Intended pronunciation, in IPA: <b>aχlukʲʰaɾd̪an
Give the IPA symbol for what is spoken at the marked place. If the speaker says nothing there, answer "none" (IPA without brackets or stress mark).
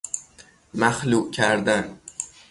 m